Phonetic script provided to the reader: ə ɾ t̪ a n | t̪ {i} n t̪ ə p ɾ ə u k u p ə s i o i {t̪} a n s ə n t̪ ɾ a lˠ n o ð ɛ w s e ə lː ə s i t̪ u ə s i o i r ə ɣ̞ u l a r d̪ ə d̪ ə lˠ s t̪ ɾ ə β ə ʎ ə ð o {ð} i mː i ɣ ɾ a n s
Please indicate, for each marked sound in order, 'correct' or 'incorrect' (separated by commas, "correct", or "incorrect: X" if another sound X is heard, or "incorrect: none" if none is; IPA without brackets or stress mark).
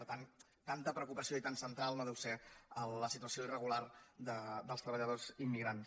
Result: incorrect: a, correct, incorrect: z